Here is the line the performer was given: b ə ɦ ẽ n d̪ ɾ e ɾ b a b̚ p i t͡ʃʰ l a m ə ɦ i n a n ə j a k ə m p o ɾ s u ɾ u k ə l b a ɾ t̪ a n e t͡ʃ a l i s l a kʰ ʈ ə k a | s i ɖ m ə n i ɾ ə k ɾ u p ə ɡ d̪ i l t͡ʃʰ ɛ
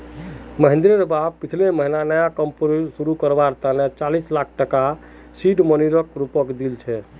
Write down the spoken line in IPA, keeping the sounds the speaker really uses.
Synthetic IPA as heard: m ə ɦ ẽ n d̪ ɾ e ɾ b a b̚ p i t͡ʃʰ l e m ə ɦ i n a n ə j a k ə m p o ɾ s u ɾ u k ə ɾ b a ɾ t̪ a n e t͡ʃ a l i s l a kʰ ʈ ə k a | s i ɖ m ə n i ɾ ə k ɾ u p ə k d̪ i l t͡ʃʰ ɛ